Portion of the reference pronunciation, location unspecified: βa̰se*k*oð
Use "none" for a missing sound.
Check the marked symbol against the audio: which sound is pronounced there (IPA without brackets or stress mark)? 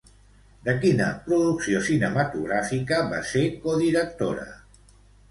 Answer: k